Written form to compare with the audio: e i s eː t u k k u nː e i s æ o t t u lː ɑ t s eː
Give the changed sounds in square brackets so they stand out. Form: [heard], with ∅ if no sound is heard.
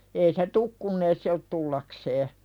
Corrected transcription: e i s [e] t u k k u nː e i s [e] o t t u lː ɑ [k] s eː

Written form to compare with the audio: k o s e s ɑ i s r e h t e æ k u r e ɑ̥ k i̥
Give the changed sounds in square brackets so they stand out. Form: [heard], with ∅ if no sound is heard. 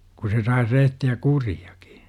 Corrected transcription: k [u] s e s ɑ i s r e h t [i] æ k u r [i] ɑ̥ k i̥

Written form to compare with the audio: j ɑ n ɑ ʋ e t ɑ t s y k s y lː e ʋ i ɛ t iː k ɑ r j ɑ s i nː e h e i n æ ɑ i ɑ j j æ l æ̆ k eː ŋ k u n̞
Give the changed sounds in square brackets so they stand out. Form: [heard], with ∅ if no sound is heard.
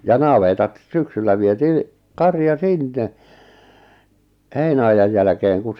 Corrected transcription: j ɑ n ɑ ʋ e t ɑ t s y k s y lː [æ] ʋ i [e] t iː k ɑ r j ɑ s i nː e h e i n æ ɑ [j] ɑ j j æ l æ̆ k eː ŋ k u n̞

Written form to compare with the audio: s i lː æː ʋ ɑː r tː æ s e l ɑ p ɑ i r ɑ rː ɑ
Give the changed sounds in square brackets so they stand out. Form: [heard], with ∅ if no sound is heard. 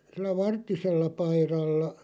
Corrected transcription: s i lː [æ] ʋ [ɑ] r tː [i] s e [lː] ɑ p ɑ i r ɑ [lː] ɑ

